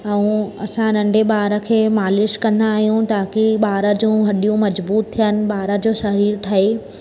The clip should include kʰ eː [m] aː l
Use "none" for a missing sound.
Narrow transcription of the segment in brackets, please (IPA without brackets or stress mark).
m